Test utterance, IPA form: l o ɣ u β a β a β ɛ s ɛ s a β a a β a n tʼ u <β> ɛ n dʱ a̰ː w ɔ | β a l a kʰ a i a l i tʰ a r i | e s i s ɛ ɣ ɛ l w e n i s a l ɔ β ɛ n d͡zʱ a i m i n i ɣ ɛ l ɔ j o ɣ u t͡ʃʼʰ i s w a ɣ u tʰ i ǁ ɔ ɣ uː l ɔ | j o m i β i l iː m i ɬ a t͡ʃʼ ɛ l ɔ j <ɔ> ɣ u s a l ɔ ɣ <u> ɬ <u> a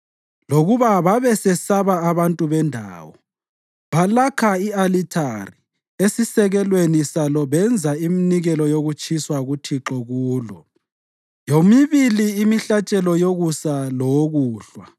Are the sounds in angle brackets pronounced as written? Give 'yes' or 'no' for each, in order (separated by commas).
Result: yes, no, no, no